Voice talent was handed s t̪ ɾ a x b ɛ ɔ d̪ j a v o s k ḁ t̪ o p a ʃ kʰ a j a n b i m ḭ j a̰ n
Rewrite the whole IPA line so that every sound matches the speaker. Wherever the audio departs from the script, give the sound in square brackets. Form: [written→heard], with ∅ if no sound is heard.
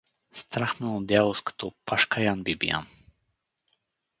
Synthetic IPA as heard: s t̪ ɾ a x [b→m] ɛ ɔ d̪ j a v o s k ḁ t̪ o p a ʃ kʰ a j a n b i [m→b] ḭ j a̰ n